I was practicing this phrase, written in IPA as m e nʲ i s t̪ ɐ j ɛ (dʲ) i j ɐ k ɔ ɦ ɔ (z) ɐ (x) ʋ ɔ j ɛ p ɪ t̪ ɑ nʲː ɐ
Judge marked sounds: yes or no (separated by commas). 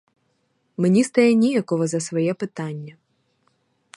no, yes, no